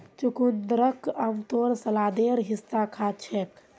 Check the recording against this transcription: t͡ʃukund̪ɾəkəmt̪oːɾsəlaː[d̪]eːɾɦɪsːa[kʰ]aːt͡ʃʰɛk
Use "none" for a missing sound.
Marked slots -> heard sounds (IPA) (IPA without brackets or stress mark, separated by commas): d̪, kʰ